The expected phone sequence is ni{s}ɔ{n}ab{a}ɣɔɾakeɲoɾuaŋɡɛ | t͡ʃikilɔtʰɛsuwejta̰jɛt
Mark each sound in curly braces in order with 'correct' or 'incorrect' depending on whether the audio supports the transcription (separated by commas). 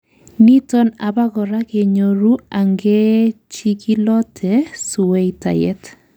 incorrect, correct, correct